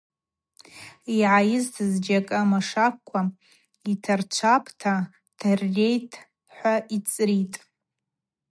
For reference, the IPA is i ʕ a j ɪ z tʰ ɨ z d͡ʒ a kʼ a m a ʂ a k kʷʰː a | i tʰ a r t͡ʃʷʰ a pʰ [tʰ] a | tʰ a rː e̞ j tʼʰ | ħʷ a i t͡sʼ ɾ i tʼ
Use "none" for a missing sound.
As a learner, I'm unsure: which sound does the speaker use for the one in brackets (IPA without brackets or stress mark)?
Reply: tʰ